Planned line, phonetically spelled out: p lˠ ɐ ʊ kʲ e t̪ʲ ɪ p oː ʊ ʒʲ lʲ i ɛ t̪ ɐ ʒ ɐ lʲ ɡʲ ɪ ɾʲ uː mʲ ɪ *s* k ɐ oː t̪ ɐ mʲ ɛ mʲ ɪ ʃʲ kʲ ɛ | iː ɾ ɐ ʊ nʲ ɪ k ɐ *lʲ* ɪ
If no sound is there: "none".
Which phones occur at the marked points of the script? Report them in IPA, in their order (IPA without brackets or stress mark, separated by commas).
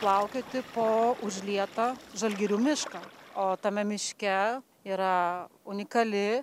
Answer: ʃ, lʲ